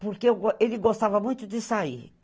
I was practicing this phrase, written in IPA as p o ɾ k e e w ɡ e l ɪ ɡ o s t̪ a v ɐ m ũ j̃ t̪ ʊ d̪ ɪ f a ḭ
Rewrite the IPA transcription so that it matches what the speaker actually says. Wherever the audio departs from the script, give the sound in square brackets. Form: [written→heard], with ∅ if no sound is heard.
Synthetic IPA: p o ɾ k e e w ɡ e l ɪ ɡ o s t̪ a v ɐ m ũ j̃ t̪ ʊ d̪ ɪ [f→s] a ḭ